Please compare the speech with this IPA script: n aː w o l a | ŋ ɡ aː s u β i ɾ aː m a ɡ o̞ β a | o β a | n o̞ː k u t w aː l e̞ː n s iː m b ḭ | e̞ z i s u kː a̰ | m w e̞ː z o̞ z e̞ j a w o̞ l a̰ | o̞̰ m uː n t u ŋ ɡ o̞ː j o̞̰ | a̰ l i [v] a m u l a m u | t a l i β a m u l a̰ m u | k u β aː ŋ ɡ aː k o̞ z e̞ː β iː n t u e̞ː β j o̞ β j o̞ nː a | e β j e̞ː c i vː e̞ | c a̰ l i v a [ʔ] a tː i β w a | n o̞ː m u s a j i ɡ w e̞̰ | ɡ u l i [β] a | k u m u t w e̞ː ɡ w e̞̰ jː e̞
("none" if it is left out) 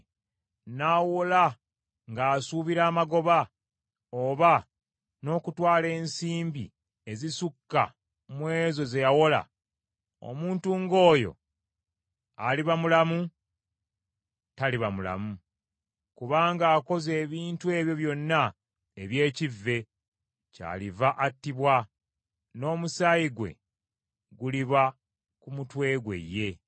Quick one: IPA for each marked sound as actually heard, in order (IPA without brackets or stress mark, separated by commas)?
β, ʔ, β